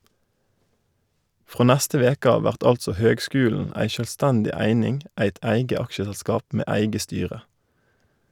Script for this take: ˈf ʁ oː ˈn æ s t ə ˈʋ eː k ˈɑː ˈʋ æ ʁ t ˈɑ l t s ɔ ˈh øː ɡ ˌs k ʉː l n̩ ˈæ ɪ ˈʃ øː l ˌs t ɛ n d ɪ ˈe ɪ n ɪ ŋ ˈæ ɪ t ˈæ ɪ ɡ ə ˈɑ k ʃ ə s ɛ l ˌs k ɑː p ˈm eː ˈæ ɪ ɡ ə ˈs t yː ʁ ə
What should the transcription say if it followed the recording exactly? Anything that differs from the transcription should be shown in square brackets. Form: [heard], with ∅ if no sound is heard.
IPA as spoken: ˈf ʁ oː ˈn æ s t ə ˈʋ eː k ˈɑː ˈʋ æ ʁ t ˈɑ l t s ɔ ˈh øː ɡ ˌs k ʉː l n̩ ˈæ ɪ ˈʃ øː l ˌs t ɛ n d ɪ [ˈæ] ɪ n ɪ ŋ ˈæ ɪ t ˈæ ɪ ɡ ə ˈɑ k ʃ ə s ɛ l ˌs k ɑː p ˈm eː ˈæ ɪ ɡ ə ˈs t yː ʁ ə